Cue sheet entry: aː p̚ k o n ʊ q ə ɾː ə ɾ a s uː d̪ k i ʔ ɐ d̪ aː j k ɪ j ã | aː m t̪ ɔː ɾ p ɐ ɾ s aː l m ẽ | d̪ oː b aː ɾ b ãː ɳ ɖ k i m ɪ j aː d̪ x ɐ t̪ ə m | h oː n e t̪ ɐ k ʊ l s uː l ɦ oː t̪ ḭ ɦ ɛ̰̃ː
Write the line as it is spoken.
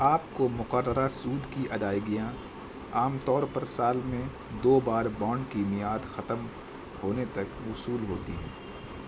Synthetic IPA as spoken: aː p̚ k o m ʊ q ə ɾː ə ɾ a s uː d̪ k i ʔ ɐ d̪ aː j ɡ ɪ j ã | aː m t̪ ɔː ɾ p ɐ ɾ s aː l m ẽ | d̪ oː b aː ɾ b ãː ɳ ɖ k i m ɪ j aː d̪ x ɐ t̪ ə m | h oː n e t̪ ɐ k ʊ s uː l ɦ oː t̪ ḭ ɦ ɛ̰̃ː